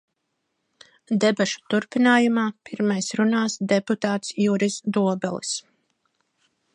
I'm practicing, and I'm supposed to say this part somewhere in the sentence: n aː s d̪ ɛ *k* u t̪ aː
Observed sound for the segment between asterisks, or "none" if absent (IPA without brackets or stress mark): p